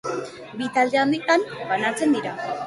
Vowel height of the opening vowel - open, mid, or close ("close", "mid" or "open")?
close